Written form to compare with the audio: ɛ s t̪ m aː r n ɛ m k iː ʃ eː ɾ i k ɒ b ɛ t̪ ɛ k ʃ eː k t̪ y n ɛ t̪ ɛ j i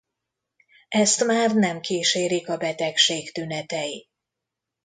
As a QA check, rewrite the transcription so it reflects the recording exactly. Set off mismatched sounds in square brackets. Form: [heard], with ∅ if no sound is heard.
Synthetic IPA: ɛ s t̪ m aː r n ɛ m k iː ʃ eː ɾ i k ɒ b ɛ t̪ ɛ k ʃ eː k t̪ y n ɛ t̪ ɛ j i

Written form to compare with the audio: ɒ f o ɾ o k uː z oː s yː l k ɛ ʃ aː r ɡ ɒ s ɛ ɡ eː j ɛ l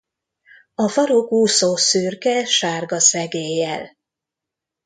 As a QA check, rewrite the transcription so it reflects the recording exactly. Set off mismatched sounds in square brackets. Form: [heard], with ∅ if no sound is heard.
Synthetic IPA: ɒ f [ɒ] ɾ o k uː [s] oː s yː [r] k ɛ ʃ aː r ɡ ɒ s ɛ ɡ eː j ɛ l

